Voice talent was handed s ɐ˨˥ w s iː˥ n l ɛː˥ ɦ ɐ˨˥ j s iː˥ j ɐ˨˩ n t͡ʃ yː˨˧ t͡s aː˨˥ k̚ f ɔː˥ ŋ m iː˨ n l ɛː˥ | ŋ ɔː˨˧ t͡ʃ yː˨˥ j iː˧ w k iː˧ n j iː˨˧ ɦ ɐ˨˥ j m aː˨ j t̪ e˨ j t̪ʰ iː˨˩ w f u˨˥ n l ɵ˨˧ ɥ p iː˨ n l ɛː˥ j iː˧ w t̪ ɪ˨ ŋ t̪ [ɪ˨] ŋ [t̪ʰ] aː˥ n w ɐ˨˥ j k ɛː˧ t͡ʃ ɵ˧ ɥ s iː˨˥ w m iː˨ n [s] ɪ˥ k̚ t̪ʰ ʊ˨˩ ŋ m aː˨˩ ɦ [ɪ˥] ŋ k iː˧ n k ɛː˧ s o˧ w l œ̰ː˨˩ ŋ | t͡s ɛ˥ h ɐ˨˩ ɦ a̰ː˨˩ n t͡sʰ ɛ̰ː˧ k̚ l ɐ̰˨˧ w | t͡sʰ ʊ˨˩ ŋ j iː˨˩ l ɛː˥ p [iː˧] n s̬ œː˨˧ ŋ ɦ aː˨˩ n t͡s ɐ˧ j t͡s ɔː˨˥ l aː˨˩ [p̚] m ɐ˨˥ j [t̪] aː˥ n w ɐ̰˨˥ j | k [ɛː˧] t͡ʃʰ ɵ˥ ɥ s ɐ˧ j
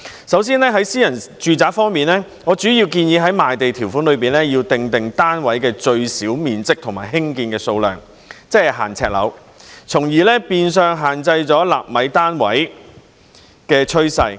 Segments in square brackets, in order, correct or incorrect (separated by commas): correct, incorrect, incorrect, correct, correct, correct, correct, correct